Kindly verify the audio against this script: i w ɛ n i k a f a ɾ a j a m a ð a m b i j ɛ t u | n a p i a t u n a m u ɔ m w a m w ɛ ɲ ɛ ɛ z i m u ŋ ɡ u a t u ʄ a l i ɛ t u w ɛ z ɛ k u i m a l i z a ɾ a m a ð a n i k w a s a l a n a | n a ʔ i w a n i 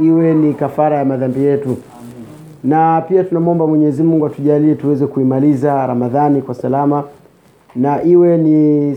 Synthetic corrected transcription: i w ɛ n i k a f a ɾ a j a m a ð a m b i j ɛ t u | n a p i a t u n a m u ɔ m b a m w ɛ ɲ ɛ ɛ z i m u ŋ ɡ u a t u ʄ a l i ɛ t u w ɛ z ɛ k u i m a l i z a ɾ a m a ð a n i k w a s a l a m a | n a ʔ i w ɛ n i